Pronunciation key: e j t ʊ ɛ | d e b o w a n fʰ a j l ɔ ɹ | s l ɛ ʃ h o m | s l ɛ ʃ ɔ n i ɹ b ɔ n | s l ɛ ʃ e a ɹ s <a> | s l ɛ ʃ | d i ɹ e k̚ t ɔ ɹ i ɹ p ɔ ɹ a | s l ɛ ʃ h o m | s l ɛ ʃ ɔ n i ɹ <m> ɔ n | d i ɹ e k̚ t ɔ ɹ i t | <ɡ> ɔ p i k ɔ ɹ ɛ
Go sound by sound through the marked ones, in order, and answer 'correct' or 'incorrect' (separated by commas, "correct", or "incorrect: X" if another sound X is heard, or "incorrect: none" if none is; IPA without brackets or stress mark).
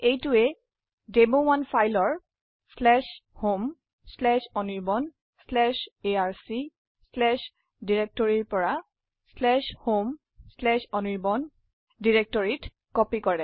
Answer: incorrect: i, incorrect: b, incorrect: k